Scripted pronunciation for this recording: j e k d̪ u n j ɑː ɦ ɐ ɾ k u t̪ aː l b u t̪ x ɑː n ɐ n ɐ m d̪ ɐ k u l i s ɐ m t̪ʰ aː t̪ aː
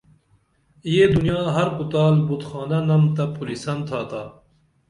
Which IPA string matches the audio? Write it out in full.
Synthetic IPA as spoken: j e d̪ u n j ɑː ɦ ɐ ɾ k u t̪ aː l b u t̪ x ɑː n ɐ n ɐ m t̪ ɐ p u l i s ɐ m t̪ʰ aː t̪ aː